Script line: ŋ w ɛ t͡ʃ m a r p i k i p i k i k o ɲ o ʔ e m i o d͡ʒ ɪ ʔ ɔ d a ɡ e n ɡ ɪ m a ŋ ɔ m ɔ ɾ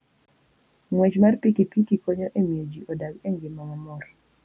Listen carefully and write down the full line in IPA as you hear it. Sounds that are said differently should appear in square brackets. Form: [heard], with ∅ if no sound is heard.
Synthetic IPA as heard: ŋ w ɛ t͡ʃ m a r p i k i p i k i k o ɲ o ʔ e m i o d͡ʒ [i] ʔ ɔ d a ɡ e [ŋ] ɡ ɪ m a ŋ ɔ m ɔ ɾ